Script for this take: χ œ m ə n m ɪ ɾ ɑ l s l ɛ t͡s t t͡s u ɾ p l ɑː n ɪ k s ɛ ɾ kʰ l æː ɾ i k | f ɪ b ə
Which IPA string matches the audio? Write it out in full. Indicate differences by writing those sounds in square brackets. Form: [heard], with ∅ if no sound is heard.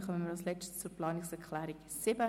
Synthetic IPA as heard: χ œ m ə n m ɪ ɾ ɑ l s l ɛ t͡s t t͡s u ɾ p l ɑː n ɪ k s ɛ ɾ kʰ l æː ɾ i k | [s] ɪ b ə